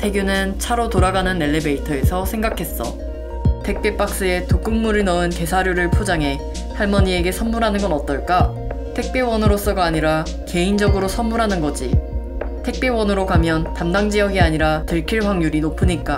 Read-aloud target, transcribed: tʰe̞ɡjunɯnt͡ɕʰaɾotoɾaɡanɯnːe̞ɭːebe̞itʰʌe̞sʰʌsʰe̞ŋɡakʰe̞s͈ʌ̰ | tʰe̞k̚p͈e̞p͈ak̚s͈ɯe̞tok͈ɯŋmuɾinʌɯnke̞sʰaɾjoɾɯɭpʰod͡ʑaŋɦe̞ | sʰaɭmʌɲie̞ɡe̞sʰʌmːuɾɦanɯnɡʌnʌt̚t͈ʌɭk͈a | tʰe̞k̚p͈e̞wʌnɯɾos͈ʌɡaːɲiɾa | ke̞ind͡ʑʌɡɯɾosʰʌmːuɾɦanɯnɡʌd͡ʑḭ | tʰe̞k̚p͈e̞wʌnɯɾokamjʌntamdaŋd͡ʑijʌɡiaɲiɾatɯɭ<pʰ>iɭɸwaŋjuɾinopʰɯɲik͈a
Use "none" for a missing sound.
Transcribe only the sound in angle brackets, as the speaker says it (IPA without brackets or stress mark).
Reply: kʰ